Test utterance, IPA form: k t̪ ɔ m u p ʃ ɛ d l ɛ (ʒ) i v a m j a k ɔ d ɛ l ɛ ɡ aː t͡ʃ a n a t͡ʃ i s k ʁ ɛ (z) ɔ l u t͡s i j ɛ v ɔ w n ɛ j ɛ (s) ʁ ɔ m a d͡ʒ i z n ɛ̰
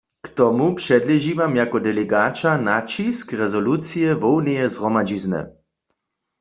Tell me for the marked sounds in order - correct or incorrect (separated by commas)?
correct, correct, incorrect